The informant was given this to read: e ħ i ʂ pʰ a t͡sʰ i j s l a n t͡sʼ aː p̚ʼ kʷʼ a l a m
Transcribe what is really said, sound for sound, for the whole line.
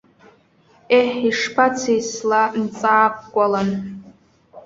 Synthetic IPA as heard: e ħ i ʂ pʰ a t͡sʰ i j s l a n t͡sʼ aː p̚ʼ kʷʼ a l a n